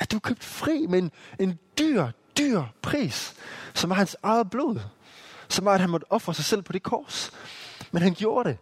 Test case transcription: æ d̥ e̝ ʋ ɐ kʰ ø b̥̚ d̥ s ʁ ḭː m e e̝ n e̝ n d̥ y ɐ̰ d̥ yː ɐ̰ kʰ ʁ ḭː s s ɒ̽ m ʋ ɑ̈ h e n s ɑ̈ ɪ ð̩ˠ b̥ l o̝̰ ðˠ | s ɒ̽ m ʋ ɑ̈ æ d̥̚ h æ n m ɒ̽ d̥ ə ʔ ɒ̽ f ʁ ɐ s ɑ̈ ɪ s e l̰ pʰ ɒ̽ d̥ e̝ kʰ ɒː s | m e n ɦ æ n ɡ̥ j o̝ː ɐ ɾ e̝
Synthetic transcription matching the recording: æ d̥ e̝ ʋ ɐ kʰ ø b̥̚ d̥ f ʁ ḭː m e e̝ n e̝ n d̥ y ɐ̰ d̥ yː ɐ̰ pʰ ʁ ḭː s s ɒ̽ m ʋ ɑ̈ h æ n s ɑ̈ ɪ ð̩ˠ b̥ l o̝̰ ðˠ | s ɒ̽ m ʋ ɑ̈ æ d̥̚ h æ n m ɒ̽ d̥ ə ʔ ɒ̽ f ʁ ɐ s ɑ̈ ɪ s e l̰ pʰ ɒ̽ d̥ e̝ kʰ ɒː s | m e n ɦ æ n ɡ̥ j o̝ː ɐ ɾ e̝